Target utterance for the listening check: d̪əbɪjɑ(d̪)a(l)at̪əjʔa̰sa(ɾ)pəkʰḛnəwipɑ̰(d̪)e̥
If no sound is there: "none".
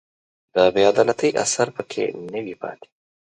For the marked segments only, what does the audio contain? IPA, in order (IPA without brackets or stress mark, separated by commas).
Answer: d̪, l, ɾ, t̪